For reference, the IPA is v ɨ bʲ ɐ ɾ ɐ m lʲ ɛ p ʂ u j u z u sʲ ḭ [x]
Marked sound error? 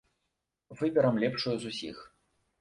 no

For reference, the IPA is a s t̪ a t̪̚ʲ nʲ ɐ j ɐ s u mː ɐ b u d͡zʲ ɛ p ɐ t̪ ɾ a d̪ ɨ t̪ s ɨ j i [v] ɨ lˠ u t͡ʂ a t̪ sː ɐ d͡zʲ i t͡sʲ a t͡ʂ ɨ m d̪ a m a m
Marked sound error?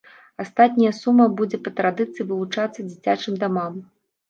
no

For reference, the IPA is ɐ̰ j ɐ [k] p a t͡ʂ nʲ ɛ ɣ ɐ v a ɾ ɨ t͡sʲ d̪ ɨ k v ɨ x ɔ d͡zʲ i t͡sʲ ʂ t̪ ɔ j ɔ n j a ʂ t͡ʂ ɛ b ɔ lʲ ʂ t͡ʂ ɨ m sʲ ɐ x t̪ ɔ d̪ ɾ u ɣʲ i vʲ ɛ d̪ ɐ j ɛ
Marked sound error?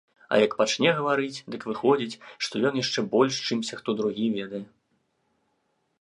no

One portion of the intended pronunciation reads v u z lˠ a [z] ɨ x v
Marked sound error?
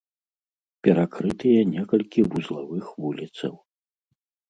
yes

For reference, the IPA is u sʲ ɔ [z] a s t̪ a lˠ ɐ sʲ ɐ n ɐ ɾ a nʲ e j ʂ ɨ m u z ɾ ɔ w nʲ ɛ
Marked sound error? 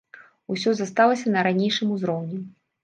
no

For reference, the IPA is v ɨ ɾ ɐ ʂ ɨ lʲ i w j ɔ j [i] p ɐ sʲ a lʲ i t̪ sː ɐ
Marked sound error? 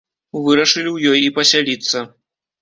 no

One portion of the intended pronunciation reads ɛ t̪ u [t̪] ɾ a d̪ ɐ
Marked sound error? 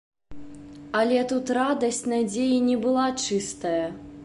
no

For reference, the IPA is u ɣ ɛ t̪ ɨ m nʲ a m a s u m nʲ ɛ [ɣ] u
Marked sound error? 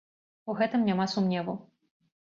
yes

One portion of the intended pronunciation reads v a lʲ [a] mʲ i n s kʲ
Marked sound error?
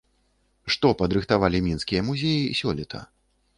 yes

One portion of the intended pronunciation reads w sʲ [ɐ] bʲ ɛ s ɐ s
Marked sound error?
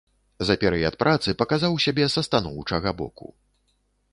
yes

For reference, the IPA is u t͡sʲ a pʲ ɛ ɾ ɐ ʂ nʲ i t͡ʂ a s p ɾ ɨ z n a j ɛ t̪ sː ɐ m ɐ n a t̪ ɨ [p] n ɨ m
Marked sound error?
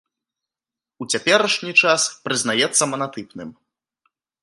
no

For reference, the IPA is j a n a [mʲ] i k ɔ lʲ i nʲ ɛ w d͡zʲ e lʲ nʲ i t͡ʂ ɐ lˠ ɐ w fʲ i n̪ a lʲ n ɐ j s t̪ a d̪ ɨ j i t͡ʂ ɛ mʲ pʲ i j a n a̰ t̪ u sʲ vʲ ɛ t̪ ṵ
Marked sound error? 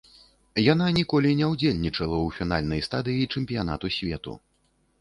yes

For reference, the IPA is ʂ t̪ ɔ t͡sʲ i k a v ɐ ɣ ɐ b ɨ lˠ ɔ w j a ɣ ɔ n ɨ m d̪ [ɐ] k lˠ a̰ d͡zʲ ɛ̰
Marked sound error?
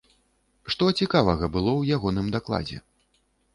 yes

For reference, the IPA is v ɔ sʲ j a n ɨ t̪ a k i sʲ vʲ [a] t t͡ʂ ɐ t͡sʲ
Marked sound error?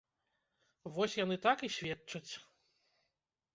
yes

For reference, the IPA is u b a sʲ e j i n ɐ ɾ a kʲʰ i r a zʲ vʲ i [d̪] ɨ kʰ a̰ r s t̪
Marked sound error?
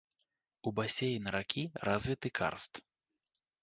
yes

